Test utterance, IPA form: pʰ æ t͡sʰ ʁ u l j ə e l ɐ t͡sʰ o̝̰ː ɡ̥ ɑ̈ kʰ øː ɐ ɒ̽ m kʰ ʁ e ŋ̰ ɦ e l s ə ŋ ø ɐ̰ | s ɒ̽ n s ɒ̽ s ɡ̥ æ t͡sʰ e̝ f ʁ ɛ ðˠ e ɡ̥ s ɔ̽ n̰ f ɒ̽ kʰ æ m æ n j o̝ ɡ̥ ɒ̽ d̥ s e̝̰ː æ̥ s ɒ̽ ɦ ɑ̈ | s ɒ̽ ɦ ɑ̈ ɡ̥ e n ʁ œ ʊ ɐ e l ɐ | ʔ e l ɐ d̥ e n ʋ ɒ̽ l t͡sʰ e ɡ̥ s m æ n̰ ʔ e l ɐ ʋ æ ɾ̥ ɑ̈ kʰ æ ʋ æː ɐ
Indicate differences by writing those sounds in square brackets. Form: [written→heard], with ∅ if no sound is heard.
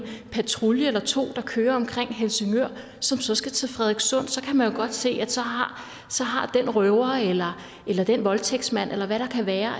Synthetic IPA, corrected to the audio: pʰ æ t͡sʰ ʁ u l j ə e l ɐ t͡sʰ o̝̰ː [ɡ̥→d̥] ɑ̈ kʰ øː ɐ ɒ̽ m kʰ ʁ e ŋ̰ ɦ e l s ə ŋ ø ɐ̰ | s ɒ̽ [n→m] s ɒ̽ s ɡ̥ æ t͡sʰ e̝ f ʁ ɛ ðˠ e ɡ̥ s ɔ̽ n̰ [f→s] ɒ̽ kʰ æ m æ n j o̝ ɡ̥ ɒ̽ d̥ s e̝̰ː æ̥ s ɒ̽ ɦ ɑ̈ | s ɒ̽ ɦ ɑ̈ [ɡ̥→d̥] e n ʁ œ ʊ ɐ e l ɐ | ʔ e l ɐ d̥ e n ʋ ɒ̽ l t͡sʰ e ɡ̥ s m æ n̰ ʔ e l ɐ ʋ æ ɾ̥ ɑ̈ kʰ æ ʋ æː ɐ